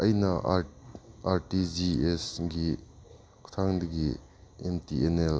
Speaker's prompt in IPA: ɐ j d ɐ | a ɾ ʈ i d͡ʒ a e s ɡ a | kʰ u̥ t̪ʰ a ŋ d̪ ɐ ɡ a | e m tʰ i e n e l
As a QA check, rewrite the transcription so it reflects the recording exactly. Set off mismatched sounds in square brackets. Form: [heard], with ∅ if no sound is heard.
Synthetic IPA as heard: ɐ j [n] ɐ | a ɾ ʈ i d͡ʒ [i] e s ɡ [i] | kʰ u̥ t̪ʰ a ŋ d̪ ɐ ɡ [i] | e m [t] i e n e l